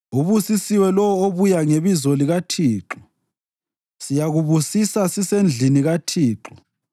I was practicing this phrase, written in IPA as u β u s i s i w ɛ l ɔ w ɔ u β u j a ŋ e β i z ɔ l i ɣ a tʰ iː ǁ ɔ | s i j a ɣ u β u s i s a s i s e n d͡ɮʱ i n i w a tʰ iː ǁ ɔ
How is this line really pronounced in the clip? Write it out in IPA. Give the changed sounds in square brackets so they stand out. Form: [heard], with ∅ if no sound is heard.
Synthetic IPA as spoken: u β u s i s i w ɛ l ɔ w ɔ [o] β u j a ŋ e β i z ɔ l i ɣ a tʰ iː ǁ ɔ | s i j a ɣ u β u s i s a s i s e n d͡ɮʱ i n i [ɣ] a tʰ iː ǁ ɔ